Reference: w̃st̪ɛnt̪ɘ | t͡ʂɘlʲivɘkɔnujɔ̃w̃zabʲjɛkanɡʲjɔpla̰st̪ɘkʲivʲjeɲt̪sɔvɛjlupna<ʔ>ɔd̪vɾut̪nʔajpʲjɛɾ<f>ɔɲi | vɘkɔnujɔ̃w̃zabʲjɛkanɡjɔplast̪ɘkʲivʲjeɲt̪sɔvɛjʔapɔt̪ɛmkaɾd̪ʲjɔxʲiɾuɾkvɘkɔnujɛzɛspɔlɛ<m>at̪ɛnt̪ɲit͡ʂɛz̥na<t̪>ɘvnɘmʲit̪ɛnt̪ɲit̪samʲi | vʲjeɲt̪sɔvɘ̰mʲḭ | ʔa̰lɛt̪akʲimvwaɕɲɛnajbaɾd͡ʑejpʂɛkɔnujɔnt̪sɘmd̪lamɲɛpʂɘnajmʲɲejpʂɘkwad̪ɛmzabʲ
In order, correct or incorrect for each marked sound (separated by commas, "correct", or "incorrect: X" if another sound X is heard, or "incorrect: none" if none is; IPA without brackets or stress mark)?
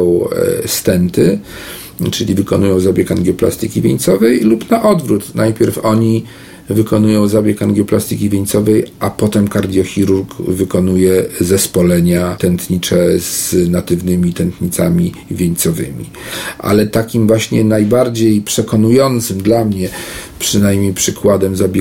correct, correct, incorrect: ɲ, correct